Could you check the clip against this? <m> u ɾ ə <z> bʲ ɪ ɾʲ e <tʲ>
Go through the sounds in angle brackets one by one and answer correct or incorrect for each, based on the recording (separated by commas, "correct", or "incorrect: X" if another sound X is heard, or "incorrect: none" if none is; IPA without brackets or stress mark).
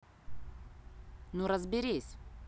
incorrect: n, correct, incorrect: sʲ